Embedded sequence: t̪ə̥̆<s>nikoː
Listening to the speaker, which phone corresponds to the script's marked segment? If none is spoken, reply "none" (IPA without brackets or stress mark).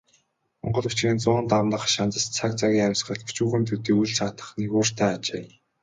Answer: χ